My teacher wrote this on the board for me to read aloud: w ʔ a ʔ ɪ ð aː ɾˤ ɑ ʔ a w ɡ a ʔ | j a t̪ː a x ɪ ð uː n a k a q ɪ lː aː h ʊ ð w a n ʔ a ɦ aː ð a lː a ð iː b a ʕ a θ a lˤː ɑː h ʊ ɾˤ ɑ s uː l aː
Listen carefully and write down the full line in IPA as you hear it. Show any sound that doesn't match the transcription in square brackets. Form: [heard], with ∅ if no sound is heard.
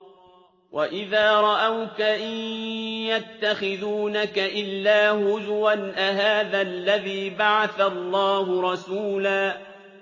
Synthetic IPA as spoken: w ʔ a ʔ ɪ ð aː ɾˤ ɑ ʔ a w [k] a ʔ | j a t̪ː a x ɪ ð uː n a k a [ʔ] ɪ lː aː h ʊ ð w a n ʔ a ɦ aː ð a lː a ð iː b a ʕ a θ a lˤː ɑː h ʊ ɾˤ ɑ s uː l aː